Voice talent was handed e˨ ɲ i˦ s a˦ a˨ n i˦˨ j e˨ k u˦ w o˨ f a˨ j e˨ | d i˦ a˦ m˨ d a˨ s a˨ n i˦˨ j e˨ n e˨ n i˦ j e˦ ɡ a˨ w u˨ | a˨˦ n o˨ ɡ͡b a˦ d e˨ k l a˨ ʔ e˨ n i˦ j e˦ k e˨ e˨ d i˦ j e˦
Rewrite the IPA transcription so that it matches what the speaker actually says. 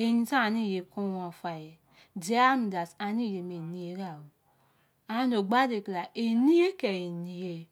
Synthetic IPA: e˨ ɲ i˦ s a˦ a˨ n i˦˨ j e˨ k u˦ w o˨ f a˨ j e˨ | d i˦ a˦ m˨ d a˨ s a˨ n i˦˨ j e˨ m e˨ n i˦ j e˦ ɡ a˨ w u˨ | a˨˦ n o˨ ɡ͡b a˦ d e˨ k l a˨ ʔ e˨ n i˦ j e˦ k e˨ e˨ n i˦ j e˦